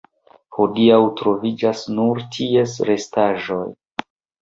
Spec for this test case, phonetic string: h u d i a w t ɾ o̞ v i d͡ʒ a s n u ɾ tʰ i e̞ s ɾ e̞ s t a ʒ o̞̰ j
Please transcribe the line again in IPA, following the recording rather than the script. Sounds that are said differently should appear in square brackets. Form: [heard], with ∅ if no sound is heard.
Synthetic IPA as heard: h [o] d i a w t ɾ o̞ v i d͡ʒ a s n u ɾ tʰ i e̞ s ɾ e̞ s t a ʒ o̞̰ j